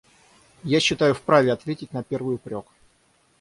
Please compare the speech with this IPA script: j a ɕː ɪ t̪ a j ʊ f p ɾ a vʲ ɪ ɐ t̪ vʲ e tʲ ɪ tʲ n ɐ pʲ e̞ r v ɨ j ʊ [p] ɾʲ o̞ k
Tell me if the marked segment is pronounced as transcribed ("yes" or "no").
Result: yes